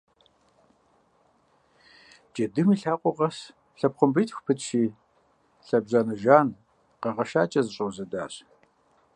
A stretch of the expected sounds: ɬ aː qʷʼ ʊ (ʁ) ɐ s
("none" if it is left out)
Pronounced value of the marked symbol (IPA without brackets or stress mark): ʁ